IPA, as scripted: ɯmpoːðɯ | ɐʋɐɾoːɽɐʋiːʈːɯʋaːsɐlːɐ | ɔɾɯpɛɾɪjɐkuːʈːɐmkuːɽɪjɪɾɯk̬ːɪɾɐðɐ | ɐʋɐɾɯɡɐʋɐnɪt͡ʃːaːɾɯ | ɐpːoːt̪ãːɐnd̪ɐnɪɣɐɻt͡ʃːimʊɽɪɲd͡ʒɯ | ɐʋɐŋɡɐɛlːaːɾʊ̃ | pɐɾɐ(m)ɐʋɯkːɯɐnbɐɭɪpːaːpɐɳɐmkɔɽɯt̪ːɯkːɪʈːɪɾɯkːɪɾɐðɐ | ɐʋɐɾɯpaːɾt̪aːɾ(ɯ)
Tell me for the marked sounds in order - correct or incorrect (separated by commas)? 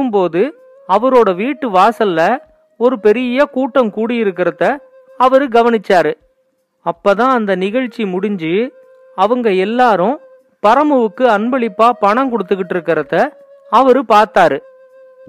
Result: correct, correct